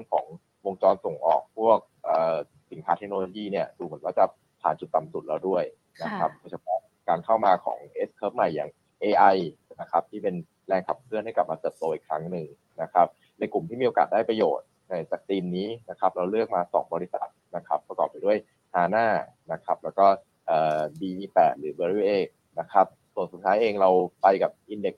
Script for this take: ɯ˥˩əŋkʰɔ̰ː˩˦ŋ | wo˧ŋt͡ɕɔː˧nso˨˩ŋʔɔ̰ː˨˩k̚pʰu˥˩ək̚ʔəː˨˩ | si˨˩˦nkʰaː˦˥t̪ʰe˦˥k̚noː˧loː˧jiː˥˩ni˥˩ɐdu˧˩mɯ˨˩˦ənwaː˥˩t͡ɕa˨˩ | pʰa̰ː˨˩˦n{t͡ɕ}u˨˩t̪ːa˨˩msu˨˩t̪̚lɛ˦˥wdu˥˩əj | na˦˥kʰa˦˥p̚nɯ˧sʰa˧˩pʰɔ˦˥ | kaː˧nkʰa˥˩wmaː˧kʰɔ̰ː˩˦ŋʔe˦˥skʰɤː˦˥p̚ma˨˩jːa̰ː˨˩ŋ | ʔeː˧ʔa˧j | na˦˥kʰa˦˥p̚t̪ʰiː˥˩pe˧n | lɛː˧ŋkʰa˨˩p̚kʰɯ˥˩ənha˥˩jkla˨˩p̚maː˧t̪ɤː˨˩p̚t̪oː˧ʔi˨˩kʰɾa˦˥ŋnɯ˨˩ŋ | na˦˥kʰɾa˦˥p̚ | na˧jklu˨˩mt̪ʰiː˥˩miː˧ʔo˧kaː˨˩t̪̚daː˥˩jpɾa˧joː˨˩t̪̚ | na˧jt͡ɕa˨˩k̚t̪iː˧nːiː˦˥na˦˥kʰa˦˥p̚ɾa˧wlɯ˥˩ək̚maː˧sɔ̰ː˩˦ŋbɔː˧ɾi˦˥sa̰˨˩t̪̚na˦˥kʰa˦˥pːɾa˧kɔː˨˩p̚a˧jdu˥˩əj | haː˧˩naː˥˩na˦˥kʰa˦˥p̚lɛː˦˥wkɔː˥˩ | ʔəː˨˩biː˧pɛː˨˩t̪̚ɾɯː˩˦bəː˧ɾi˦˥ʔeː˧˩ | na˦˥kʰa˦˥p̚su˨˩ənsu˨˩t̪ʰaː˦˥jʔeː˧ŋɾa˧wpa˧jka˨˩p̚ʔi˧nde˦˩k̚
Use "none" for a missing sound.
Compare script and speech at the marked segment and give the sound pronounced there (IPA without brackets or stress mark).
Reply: t͡ɕ